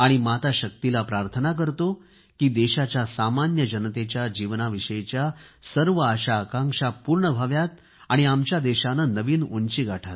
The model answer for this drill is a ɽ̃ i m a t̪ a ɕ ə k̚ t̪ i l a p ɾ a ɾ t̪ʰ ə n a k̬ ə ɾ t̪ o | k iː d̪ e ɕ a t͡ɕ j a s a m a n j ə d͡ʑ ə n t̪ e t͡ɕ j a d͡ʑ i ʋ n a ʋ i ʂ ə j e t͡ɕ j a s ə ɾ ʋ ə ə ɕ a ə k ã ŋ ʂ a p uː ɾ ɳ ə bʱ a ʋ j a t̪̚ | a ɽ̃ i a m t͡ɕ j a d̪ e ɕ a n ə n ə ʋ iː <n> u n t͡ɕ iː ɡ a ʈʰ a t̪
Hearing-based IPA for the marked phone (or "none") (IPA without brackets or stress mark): n